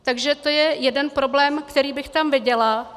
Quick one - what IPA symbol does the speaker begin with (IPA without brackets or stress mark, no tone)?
t̪